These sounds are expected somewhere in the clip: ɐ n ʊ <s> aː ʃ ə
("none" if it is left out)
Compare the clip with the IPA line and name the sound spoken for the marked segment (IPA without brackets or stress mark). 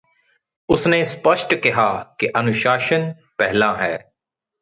ʃ